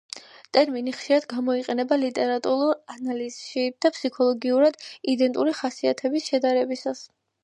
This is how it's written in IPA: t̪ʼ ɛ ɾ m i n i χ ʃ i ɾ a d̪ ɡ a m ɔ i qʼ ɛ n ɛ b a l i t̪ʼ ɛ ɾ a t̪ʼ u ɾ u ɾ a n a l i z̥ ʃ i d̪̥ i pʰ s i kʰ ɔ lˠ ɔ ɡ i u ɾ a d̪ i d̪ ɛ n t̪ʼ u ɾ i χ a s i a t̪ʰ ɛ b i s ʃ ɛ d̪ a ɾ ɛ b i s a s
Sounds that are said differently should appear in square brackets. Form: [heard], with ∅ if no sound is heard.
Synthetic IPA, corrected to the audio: t̪ʼ ɛ ɾ m i n i χ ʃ i ɾ a d̪ ɡ a m ɔ i qʼ ɛ n ɛ b a l i t̪ʼ ɛ ɾ a t̪ʼ u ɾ u ɾ a n a l i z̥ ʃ i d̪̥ [a] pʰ s i kʰ ɔ lˠ ɔ ɡ i u ɾ a d̪ i d̪ ɛ n t̪ʼ u ɾ i χ a s i a t̪ʰ ɛ b i s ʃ ɛ d̪ a ɾ ɛ b i s a s